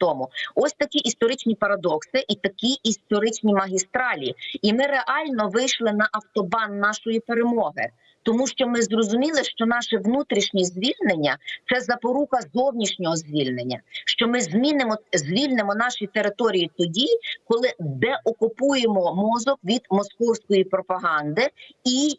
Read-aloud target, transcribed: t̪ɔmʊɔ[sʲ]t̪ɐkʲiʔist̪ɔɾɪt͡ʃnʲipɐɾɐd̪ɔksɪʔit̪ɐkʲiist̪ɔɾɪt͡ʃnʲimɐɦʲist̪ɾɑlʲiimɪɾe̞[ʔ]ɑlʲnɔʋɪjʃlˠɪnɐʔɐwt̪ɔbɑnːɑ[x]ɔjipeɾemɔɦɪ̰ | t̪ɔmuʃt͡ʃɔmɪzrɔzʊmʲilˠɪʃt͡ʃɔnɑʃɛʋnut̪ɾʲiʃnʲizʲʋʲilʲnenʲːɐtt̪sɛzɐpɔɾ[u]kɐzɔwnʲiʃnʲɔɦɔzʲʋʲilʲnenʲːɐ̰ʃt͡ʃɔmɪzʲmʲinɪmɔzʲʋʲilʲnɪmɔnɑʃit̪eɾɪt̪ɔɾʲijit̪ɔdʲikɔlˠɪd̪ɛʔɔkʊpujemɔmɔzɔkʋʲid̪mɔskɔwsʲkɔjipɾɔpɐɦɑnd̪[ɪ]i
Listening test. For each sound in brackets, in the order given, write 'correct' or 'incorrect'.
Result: correct, correct, incorrect: ʃ, correct, correct

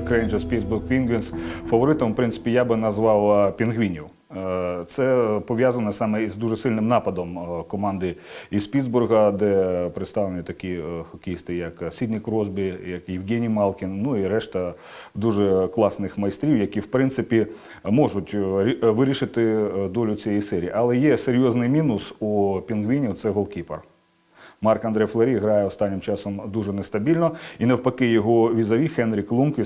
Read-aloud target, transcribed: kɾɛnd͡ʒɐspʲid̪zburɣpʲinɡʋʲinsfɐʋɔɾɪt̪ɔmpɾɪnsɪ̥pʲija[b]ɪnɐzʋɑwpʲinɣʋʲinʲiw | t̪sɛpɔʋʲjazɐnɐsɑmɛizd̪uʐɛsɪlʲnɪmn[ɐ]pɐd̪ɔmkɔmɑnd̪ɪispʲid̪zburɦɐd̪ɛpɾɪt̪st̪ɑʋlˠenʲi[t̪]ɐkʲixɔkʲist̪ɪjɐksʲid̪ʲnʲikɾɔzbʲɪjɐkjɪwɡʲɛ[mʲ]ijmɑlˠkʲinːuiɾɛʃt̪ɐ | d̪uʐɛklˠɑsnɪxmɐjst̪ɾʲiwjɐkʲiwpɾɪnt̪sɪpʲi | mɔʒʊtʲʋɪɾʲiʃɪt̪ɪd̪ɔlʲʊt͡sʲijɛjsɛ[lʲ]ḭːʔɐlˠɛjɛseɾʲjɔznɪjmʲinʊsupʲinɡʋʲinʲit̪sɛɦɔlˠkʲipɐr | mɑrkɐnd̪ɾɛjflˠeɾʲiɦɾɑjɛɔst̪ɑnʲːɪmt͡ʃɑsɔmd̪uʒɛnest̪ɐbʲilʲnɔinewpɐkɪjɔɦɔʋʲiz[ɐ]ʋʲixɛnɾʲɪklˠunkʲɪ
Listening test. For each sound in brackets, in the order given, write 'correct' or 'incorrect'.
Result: correct, incorrect: ɑ, correct, incorrect: nʲ, incorrect: ɾʲ, correct

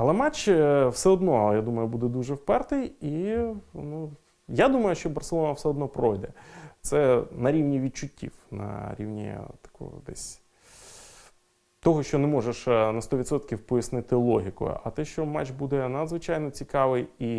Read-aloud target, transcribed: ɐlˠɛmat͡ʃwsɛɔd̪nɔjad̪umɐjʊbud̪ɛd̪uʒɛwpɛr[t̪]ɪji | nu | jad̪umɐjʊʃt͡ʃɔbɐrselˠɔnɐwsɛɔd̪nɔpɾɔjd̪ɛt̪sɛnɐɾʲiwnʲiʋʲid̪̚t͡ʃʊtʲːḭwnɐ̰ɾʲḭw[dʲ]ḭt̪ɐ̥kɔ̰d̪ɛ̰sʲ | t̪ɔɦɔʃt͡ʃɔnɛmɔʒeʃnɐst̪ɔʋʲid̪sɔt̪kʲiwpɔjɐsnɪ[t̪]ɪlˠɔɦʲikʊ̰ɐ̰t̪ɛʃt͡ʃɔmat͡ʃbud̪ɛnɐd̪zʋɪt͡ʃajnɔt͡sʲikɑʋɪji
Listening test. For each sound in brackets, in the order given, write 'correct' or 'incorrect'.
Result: correct, incorrect: nʲ, correct

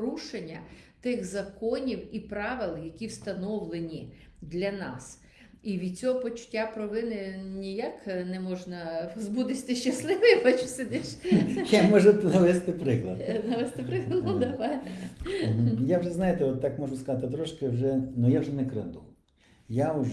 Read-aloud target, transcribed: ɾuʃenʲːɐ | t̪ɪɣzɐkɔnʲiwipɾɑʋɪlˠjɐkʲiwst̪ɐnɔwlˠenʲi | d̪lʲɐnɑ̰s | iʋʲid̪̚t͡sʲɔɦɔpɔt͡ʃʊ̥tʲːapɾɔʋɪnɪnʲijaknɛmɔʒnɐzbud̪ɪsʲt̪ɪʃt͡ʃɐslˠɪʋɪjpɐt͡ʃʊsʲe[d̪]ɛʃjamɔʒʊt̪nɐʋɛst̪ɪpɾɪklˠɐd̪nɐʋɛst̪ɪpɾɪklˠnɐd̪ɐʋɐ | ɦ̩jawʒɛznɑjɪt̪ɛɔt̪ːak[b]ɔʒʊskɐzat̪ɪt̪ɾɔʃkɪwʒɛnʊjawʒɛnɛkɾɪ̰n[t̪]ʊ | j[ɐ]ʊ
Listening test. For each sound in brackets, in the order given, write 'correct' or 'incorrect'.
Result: correct, incorrect: m, incorrect: d̪, incorrect: a

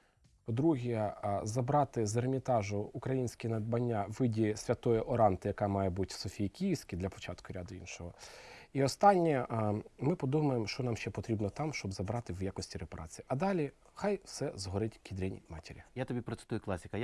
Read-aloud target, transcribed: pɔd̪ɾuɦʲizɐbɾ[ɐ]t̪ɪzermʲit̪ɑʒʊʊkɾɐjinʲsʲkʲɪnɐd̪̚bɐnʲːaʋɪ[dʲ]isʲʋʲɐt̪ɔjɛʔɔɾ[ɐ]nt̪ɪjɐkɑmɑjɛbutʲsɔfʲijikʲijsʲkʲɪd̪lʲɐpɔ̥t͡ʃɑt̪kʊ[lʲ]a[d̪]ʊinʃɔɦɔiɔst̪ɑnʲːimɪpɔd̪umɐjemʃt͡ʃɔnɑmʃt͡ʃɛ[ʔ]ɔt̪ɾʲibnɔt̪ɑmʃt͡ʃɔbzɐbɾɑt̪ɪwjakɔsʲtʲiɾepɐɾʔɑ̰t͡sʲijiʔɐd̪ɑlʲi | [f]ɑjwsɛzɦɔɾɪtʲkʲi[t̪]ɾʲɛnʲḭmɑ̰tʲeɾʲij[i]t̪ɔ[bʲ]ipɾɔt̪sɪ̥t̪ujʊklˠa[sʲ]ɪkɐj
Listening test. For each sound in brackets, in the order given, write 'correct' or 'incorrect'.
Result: incorrect: ɑ, correct, incorrect: ɑ, incorrect: ɾʲ, correct, incorrect: p, incorrect: x, incorrect: d̪, incorrect: a, correct, correct

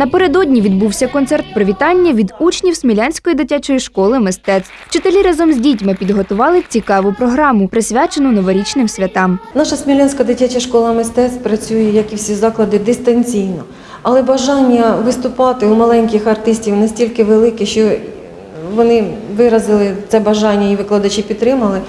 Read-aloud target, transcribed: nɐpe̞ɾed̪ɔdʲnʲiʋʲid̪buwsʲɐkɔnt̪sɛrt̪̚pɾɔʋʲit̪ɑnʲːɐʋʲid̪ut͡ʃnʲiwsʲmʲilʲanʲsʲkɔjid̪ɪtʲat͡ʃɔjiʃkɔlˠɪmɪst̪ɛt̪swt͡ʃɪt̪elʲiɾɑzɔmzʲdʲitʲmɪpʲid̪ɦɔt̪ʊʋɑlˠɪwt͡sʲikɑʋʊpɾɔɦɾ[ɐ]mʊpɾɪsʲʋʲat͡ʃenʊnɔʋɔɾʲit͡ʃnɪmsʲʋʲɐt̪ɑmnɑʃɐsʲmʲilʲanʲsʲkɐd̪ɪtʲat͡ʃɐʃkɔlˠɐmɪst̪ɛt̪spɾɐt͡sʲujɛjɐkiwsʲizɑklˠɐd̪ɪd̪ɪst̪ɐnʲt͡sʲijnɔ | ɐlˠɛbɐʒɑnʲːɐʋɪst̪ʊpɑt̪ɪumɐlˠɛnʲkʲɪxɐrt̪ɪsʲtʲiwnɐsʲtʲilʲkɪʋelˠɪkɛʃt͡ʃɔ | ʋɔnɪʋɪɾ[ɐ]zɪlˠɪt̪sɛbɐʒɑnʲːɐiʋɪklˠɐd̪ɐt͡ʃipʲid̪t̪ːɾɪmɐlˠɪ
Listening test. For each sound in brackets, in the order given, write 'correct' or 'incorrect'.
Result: incorrect: ɑ, correct

